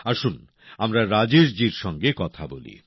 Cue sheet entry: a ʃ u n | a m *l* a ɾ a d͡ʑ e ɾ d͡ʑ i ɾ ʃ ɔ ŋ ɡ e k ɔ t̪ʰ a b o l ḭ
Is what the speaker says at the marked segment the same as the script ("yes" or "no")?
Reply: no